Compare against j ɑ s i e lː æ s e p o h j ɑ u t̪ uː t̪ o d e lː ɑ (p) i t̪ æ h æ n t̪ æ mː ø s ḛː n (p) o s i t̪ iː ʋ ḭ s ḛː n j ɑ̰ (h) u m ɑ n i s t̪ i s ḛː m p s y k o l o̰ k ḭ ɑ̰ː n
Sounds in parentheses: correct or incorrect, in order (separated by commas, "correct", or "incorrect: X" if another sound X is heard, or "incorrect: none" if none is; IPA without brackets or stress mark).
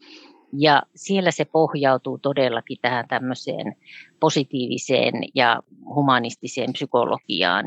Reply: incorrect: k, correct, correct